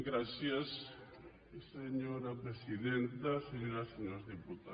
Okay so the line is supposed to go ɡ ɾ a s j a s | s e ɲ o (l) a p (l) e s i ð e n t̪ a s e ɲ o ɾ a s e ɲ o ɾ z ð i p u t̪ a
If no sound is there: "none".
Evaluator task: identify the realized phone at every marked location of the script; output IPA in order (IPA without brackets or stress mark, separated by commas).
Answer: ɾ, ɾ